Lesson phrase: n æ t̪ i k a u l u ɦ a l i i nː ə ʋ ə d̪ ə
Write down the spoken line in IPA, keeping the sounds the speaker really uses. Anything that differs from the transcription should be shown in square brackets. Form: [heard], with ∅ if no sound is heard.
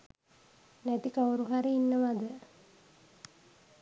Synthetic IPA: n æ t̪ i k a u [ɾ] u ɦ a [ɾ] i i nː ə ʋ [a] d̪ ə